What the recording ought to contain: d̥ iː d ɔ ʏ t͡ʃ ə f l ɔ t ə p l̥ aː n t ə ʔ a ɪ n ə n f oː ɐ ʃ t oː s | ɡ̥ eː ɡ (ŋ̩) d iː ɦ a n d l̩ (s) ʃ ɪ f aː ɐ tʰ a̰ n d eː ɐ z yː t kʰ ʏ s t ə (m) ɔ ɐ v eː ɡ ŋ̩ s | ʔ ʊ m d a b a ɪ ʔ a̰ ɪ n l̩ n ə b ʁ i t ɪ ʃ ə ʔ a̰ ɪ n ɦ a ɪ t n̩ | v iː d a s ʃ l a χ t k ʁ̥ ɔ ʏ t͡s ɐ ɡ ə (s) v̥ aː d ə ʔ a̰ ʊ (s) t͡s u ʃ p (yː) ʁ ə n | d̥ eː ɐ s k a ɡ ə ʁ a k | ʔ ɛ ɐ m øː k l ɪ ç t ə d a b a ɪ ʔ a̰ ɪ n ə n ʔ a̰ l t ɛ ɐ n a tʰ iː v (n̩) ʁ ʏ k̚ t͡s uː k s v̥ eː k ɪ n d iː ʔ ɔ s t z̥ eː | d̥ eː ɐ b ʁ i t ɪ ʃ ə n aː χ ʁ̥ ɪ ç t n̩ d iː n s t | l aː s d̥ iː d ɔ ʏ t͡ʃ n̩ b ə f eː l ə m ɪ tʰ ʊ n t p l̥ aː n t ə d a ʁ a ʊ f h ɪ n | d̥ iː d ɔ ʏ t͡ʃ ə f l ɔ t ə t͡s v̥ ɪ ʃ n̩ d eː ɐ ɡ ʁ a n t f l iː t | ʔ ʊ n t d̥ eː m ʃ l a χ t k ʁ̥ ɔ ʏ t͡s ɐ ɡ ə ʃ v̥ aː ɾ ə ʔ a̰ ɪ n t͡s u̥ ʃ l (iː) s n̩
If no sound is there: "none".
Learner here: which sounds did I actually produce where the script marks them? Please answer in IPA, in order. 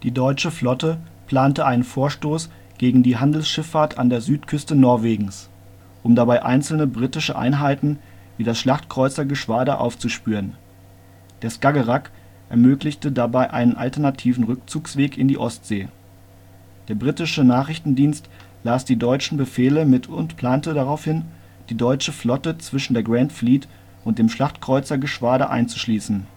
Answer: ŋ̩, s, n, ʃ, f, yː, n̩, iː

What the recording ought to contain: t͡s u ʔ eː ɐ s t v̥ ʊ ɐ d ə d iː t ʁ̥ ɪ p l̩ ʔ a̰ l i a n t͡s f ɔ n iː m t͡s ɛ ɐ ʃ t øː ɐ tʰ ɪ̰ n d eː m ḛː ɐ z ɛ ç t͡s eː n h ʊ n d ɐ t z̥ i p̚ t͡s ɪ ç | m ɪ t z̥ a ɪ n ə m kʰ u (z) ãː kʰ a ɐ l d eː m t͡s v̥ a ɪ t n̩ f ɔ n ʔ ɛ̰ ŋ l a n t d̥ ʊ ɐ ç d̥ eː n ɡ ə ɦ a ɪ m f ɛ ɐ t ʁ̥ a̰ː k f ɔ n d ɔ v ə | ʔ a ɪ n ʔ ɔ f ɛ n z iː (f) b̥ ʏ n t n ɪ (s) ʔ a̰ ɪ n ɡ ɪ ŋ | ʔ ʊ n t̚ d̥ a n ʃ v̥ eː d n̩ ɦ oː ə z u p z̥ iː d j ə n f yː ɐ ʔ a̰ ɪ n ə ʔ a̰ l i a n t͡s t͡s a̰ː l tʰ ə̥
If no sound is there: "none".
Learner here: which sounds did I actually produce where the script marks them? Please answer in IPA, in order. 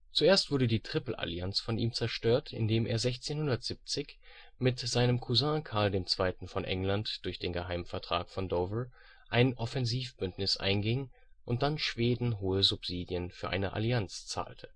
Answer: z, f, s

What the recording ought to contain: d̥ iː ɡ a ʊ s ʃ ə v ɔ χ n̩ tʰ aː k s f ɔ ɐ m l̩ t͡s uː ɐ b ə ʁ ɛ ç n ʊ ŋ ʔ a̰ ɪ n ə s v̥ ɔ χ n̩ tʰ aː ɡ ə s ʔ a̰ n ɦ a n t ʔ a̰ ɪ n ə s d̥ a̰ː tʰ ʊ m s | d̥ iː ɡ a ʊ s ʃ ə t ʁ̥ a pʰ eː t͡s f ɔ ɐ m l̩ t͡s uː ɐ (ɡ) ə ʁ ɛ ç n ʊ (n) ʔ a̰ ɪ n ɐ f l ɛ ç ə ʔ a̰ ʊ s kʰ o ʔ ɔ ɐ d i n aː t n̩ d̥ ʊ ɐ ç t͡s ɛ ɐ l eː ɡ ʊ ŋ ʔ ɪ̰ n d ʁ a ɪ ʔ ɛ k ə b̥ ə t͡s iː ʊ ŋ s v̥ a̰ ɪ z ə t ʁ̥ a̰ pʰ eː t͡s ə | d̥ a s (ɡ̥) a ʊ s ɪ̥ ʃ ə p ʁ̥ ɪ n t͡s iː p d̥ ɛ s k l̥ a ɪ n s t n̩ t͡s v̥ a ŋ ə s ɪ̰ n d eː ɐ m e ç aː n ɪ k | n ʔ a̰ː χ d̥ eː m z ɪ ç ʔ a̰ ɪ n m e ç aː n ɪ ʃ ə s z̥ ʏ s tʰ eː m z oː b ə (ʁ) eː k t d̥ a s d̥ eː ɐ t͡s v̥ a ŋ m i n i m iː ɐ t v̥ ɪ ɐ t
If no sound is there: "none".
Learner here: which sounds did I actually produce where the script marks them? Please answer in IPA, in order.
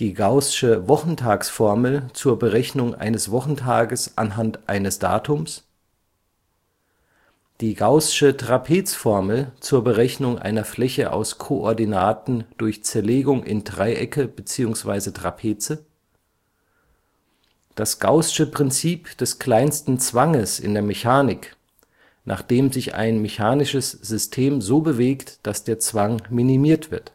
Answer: b, ŋ, ɡ̥, v

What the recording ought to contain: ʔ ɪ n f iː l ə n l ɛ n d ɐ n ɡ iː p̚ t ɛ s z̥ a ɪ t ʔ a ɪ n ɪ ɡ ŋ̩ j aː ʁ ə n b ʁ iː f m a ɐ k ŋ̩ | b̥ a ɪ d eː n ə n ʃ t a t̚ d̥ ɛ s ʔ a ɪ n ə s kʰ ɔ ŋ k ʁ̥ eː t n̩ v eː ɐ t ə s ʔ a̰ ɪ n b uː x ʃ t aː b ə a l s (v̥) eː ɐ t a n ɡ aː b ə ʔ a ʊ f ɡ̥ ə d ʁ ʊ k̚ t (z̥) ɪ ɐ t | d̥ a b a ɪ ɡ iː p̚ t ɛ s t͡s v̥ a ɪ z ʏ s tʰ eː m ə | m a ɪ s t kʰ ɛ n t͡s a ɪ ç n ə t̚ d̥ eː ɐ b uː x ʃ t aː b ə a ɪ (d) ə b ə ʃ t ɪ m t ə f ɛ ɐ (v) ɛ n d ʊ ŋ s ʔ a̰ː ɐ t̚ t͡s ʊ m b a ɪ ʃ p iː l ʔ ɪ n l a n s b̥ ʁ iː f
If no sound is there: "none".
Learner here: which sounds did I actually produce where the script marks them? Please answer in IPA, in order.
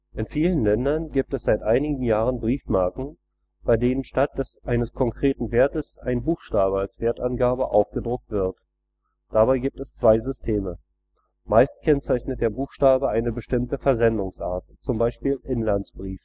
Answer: v̥, v̥, n, z

